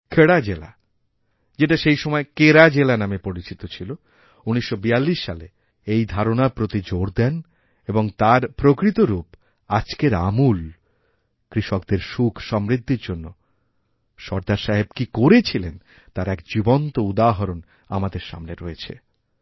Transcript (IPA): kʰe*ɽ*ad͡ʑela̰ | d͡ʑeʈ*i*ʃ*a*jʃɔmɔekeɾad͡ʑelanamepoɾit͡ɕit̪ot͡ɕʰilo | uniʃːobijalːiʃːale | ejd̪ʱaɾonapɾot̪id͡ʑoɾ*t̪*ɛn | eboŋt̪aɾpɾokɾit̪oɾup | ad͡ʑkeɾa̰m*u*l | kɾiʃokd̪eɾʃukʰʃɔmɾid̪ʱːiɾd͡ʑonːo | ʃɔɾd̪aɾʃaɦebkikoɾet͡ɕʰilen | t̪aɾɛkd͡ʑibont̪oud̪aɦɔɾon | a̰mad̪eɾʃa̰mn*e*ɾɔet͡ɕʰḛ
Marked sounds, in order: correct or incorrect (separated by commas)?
correct, incorrect, incorrect, incorrect, correct, correct